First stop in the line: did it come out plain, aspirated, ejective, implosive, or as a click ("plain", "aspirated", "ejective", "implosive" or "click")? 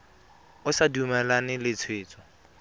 plain